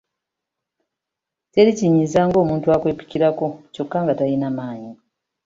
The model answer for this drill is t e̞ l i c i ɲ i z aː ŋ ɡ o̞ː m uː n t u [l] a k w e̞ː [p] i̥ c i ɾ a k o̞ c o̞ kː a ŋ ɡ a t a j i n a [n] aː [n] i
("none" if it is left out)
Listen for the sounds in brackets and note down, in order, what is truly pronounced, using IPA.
none, p, m, ɲ

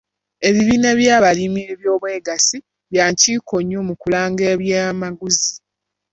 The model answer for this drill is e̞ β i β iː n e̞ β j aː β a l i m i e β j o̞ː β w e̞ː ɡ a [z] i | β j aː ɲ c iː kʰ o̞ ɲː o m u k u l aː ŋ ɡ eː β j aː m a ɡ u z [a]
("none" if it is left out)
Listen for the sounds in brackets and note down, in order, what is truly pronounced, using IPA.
s, i

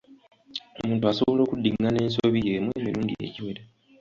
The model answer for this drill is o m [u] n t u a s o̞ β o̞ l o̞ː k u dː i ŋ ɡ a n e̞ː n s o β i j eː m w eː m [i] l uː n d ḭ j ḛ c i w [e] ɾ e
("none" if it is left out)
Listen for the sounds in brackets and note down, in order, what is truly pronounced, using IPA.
uː, i, e

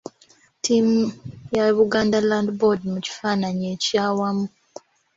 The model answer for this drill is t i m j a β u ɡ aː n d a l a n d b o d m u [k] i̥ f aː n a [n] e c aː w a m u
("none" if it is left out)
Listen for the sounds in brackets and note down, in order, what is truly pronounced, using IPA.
c, ɲ

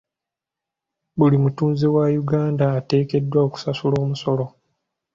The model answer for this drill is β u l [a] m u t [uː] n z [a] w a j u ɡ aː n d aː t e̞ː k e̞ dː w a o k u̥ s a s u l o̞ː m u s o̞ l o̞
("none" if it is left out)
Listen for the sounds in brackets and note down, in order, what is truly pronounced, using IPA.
i, uː, e

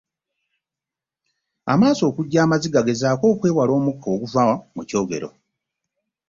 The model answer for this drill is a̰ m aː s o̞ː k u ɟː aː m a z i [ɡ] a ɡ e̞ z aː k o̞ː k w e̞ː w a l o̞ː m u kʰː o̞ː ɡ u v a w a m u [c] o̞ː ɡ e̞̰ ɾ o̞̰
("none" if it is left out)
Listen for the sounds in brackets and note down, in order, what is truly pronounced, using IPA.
ɡ, c

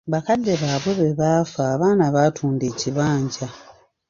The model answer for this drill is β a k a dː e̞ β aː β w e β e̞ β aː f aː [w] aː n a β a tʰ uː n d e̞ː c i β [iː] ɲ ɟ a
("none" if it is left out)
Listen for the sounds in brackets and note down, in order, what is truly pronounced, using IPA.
β, aː

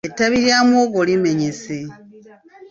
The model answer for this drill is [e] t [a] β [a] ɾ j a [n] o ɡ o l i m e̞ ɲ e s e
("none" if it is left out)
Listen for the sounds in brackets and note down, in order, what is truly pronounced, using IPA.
e, a, i, m

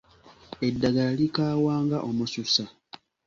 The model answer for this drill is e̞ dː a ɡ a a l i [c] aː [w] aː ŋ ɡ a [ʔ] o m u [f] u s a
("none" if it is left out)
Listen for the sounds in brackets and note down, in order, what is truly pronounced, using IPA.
k, w, ʔ, s

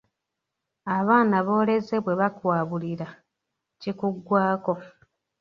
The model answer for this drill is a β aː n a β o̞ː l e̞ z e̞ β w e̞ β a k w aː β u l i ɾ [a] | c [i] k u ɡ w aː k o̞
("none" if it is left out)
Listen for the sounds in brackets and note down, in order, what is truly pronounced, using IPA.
a, i

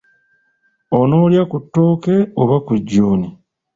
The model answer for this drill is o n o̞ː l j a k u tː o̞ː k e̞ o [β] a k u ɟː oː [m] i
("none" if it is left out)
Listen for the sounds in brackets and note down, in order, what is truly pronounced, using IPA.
β, n

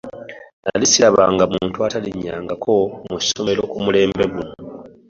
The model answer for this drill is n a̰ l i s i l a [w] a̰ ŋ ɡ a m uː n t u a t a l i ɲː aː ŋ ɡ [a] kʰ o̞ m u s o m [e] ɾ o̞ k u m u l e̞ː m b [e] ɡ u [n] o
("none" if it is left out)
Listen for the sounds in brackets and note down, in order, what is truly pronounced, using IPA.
β, a, e, e, n

